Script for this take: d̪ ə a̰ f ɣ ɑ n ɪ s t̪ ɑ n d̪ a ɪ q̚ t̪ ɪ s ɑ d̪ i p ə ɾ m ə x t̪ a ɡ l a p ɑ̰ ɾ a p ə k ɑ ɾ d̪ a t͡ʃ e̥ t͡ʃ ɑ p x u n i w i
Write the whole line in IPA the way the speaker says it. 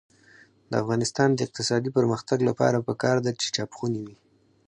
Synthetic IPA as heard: d̪ ə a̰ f ɣ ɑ n ɪ s t̪ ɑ n d̪ ə ɪ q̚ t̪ ɪ s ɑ d̪ i p ə ɾ m ə x t̪ a ɡ l a p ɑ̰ ɾ a p ə k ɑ ɾ d̪ a t͡ʃ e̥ t͡ʃ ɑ p x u n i w i